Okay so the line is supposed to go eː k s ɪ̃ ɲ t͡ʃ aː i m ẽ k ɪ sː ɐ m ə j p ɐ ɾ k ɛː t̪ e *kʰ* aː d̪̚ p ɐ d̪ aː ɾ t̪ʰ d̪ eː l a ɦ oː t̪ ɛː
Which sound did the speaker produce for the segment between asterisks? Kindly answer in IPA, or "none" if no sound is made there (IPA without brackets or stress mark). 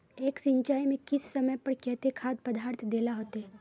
kʰ